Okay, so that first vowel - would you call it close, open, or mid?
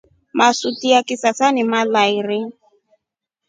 open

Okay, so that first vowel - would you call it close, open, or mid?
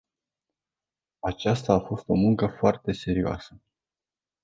open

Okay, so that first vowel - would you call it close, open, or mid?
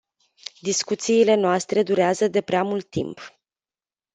close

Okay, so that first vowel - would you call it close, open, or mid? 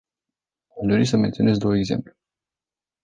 open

